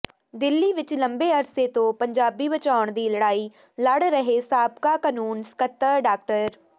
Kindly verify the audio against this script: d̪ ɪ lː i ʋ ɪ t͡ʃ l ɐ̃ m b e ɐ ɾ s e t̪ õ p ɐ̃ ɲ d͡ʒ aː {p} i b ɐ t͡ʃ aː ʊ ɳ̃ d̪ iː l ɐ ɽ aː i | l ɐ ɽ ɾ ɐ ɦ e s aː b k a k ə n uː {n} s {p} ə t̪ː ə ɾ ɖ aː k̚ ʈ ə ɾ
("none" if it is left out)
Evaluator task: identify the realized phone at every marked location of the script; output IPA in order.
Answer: b, n, k

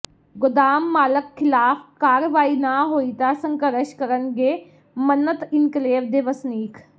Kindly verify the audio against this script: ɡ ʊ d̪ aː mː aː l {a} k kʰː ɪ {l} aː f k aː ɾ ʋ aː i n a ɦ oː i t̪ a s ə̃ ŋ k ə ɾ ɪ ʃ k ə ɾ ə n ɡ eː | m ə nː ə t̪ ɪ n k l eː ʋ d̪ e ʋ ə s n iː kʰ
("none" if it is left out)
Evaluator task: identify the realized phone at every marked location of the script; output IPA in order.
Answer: ə, l

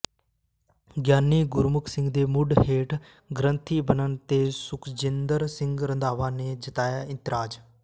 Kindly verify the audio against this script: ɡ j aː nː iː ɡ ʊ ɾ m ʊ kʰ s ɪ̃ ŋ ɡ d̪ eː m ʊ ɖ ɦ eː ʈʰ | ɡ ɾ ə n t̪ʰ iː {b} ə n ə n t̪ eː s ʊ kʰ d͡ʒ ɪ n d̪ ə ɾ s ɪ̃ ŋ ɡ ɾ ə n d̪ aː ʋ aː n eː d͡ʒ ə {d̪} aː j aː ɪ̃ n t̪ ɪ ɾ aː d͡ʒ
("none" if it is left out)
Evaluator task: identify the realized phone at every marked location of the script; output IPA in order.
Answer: b, t̪

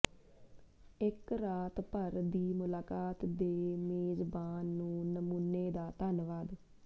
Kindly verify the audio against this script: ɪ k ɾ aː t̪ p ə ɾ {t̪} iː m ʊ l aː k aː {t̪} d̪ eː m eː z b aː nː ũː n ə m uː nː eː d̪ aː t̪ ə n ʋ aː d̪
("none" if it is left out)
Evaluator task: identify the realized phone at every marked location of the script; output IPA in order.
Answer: d̪, t̪

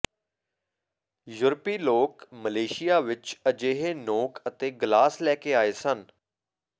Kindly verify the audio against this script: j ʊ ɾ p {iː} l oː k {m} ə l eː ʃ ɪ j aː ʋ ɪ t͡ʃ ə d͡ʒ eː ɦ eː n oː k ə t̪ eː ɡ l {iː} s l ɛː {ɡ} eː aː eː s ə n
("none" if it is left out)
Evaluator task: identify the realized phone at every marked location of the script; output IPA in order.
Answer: iː, m, aː, k

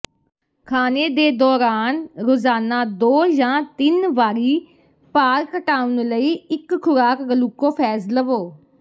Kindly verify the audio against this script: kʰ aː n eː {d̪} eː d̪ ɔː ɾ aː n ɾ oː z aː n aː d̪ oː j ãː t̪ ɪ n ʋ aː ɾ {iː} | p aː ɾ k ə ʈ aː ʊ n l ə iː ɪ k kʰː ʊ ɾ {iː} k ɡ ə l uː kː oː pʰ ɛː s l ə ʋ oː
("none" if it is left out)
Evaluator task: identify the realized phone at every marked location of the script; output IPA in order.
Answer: d̪, iː, aː

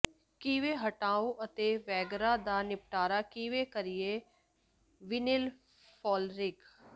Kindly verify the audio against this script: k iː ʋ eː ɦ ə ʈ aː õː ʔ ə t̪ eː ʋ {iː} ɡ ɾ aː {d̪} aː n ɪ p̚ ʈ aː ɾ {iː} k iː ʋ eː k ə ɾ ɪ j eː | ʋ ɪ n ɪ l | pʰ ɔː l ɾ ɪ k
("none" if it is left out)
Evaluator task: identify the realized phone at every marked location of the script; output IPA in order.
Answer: ɛː, d̪, aː

